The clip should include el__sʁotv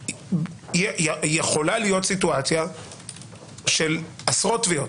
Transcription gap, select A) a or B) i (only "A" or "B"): A